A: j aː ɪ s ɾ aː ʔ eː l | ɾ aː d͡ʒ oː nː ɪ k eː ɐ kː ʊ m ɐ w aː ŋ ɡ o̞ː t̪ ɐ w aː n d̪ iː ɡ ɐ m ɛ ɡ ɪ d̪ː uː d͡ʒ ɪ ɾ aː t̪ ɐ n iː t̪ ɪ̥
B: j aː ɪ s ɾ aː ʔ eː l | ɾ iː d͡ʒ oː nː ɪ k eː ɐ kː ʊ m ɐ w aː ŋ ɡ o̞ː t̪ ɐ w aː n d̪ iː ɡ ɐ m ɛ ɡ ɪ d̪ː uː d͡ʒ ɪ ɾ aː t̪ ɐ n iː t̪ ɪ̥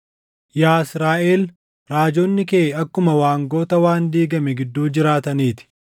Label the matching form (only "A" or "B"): A